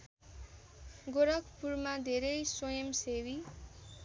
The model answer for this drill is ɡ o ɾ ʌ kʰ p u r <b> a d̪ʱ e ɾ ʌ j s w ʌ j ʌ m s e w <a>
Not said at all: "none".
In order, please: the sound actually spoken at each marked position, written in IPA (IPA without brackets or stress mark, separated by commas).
m, i